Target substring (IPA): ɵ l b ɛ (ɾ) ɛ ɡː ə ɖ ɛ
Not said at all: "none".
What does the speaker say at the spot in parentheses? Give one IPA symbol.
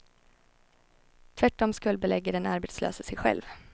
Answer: l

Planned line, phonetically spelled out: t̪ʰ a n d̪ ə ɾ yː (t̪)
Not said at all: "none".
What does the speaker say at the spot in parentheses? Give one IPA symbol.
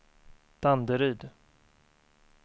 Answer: d̪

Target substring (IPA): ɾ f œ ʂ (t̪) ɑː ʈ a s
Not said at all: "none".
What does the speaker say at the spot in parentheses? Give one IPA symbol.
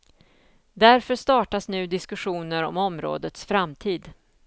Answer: t̪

